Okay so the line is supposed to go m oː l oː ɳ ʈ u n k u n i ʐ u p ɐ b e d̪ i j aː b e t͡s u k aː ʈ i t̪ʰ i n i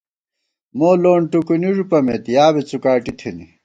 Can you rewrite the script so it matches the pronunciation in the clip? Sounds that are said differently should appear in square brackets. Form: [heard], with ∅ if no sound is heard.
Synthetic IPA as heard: m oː l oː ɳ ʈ u [∅] k u n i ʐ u p ɐ [m] e [t̪] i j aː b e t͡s u k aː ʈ i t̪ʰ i n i